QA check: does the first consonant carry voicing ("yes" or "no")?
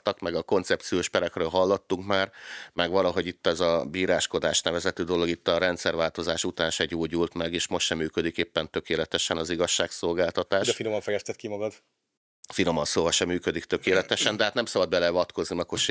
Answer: no